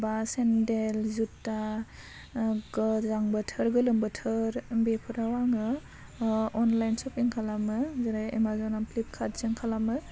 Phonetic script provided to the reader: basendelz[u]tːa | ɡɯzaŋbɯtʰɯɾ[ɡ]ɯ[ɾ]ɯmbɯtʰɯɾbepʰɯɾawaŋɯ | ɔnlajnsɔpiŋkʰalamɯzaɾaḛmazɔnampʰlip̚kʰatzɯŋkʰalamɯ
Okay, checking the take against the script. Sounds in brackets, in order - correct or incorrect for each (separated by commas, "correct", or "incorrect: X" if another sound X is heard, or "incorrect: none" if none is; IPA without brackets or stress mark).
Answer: correct, correct, incorrect: l